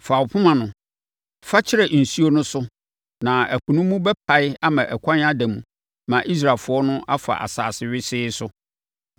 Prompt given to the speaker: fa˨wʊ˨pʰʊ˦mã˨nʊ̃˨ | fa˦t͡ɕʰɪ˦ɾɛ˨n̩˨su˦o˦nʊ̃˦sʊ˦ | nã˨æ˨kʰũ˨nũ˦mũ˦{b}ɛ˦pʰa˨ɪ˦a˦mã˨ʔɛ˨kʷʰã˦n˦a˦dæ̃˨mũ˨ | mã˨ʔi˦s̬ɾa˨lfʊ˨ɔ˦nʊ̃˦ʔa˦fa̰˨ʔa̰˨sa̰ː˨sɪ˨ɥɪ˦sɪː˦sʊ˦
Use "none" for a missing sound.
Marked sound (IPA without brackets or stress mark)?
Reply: b